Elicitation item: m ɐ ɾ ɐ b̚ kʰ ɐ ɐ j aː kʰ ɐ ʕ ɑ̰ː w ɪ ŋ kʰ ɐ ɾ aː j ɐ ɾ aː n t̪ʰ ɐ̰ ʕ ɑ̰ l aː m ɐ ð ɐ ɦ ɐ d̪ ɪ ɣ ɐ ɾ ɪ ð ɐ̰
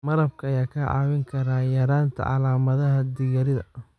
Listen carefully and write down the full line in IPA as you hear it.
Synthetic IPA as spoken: m ɐ ɾ ɐ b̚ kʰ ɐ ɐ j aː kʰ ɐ ʕ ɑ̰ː w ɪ ŋ kʰ ɐ ɾ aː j ɐ ɾ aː n t̪ʰ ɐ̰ ʕ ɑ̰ l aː m ɐ ð ɐ ɦ ɐ d̪ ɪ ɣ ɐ ɾ ɪ ð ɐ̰